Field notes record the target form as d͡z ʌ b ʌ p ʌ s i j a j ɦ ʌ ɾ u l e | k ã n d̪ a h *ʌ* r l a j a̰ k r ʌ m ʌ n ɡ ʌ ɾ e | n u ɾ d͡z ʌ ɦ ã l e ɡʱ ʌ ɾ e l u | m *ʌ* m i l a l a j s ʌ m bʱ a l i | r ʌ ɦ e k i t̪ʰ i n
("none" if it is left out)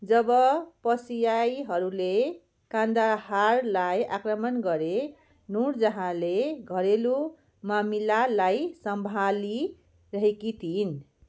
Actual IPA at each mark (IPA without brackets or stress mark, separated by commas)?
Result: a, a